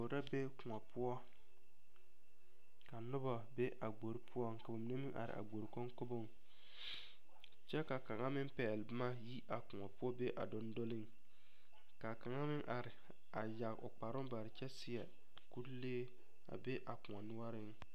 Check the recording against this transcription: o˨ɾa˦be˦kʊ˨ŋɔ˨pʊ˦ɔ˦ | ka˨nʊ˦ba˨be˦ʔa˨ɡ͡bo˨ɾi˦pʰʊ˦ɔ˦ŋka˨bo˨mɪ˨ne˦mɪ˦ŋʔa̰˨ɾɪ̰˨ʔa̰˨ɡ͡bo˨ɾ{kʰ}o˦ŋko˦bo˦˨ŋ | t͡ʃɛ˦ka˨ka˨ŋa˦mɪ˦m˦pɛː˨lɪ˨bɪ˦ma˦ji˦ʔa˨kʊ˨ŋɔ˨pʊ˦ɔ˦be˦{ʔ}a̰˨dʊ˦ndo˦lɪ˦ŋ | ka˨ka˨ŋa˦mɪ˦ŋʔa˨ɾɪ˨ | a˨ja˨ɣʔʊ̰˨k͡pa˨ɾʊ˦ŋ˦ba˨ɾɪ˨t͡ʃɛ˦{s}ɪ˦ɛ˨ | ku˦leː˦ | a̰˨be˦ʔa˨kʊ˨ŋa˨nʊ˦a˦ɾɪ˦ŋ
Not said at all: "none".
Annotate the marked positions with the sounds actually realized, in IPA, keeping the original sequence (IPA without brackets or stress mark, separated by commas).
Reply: k, ʔ, s